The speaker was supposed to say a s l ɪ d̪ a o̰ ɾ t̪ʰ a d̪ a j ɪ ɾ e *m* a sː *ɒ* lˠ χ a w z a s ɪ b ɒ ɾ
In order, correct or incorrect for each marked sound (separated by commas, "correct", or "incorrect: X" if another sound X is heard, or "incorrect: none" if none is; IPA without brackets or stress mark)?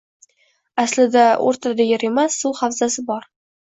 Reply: correct, incorrect: u